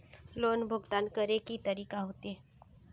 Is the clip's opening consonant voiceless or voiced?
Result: voiced